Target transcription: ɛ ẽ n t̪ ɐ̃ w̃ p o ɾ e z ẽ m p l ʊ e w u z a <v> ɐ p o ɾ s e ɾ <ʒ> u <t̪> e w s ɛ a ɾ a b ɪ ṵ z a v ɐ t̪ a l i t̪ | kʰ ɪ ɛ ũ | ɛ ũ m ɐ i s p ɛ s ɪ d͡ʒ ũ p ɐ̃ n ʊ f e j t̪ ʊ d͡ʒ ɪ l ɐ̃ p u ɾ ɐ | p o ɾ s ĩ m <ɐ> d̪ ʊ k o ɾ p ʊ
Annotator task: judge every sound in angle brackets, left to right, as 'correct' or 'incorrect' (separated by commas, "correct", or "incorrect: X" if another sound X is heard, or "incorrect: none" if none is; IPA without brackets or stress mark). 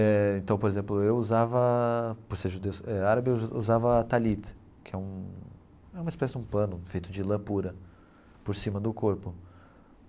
correct, correct, incorrect: d̪, correct